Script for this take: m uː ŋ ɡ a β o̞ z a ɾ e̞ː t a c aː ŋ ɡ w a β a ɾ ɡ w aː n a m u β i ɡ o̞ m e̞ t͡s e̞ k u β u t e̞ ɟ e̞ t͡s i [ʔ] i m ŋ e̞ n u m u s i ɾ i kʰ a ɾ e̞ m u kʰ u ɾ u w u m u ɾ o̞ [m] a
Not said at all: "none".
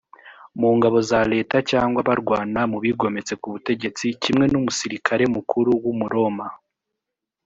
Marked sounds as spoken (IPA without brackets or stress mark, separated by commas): c, m